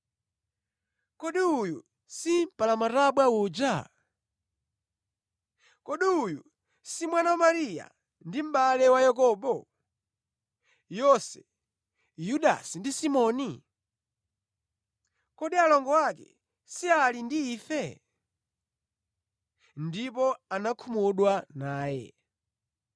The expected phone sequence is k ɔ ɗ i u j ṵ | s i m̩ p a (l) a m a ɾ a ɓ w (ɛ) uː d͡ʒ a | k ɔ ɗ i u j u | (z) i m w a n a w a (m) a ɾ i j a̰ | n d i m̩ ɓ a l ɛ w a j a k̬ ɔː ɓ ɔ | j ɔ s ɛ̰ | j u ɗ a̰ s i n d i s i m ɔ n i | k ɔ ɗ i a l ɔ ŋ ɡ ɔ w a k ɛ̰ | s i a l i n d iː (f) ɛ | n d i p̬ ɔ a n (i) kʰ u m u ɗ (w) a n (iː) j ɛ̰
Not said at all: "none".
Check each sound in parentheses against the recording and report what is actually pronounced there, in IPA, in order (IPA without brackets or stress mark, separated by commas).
l, a, s, m, f, a, w, aː